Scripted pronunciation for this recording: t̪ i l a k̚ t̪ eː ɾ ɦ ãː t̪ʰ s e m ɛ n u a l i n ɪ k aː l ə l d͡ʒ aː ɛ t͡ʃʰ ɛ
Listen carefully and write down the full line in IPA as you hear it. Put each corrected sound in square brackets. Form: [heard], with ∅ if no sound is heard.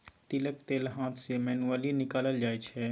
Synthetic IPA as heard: t̪ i l [ə] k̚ t̪ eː [l] ɦ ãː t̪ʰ s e m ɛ n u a l i n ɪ k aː l ə l d͡ʒ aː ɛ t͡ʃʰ ɛ

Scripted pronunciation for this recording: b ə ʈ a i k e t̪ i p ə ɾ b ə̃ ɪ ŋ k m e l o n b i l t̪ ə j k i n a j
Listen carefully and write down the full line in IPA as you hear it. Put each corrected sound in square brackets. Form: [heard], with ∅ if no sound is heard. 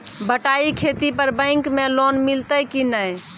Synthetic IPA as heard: b ə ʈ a i [kʰ] e t̪ i p ə ɾ b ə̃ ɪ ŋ k m e l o n [m] i l t̪ ə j k i n [ə] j

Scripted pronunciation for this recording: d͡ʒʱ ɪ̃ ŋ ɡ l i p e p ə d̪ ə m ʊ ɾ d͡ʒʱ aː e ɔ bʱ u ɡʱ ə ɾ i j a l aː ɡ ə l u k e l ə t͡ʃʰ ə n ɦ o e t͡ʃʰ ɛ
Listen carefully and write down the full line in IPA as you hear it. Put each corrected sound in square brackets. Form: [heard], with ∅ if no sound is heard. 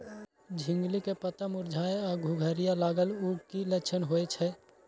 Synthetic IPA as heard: d͡ʒʱ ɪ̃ ŋ ɡ l i [k] e p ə [t̪] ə m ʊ ɾ d͡ʒʱ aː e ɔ [ɡʱ] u ɡʱ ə ɾ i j a l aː ɡ ə l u k [i] l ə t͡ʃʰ ə n ɦ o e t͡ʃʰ ɛ

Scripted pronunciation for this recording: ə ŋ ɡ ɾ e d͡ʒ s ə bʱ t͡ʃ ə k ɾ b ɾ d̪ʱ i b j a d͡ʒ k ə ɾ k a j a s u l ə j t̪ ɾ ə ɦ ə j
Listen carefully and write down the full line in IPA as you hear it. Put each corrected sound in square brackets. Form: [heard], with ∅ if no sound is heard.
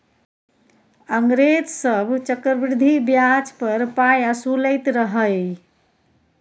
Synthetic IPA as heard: ə ŋ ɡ ɾ e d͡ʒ s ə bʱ t͡ʃ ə k ɾ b ɾ d̪ʱ i b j a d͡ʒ [p] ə ɾ [p] a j a s u l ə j t̪ ɾ ə ɦ ə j

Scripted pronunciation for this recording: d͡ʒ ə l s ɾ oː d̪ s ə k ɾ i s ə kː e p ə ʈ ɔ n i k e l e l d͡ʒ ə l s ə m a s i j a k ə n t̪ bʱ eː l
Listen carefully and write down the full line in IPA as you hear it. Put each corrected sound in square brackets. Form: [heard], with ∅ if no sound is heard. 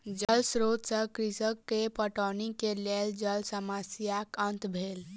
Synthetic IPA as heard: d͡ʒ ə l s ɾ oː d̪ s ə k ɾ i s ə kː e p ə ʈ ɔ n i k e l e l d͡ʒ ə l s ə m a s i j a k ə n t̪ bʱ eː l

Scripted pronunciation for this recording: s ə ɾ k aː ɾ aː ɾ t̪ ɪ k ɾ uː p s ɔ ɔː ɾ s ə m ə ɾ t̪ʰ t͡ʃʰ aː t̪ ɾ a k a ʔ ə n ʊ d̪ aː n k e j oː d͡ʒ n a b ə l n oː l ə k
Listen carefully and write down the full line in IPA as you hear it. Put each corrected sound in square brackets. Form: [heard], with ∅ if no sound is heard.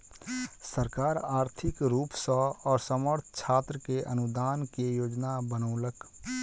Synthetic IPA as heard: s ə ɾ k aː ɾ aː ɾ [t̪ʰ] ɪ k ɾ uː p s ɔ ɔː ɾ s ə m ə ɾ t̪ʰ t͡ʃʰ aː t̪ ɾ [ə] k [e] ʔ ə n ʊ d̪ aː n k e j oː d͡ʒ n a b ə [∅] n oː l ə k

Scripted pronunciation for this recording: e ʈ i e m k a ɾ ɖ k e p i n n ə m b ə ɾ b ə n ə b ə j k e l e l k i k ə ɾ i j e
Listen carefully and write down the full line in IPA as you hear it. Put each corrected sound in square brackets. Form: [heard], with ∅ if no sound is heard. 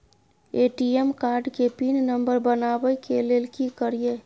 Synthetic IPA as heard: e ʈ i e m k a ɾ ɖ k e p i n n ə m b ə ɾ b ə n [a] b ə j k e l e l k i k ə ɾ i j e

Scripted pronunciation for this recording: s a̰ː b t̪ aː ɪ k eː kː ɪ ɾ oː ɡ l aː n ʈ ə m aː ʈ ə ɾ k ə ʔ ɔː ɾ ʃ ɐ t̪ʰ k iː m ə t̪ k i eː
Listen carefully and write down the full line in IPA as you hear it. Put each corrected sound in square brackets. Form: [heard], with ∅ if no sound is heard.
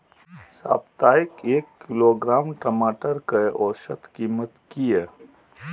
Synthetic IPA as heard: s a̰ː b t̪ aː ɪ k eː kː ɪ [l] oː ɡ [ɾ] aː [m] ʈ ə m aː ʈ ə ɾ k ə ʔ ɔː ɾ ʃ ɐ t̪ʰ k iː m ə t̪ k i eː

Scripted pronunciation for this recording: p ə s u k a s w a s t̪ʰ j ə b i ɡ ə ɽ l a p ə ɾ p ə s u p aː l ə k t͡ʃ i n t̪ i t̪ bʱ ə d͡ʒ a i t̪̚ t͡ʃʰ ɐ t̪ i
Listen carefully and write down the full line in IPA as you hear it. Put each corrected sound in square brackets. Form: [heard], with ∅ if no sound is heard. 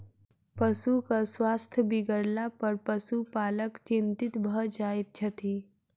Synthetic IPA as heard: p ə s u k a s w a s t̪ʰ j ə b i ɡ ə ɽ l a p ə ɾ p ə s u p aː l ə k t͡ʃ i n t̪ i t̪ bʱ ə d͡ʒ a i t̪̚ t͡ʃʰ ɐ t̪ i

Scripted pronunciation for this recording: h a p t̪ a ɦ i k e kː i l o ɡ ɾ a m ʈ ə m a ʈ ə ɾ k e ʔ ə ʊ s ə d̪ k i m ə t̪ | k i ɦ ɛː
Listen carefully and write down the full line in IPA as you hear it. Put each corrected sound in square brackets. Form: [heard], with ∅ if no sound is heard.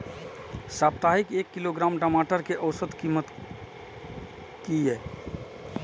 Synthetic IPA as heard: [s] a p t̪ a ɦ i k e kː i l o ɡ ɾ a m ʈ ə m a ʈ ə ɾ k e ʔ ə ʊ s ə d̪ k i m ə t̪ | k i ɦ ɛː

